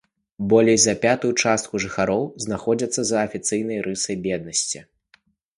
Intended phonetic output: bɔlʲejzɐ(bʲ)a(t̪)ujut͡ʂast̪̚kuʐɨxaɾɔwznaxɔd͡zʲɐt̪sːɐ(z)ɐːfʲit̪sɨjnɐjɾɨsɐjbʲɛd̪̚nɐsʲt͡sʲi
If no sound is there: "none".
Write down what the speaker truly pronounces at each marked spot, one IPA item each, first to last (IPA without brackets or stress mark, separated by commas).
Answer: pʲ, t̪, z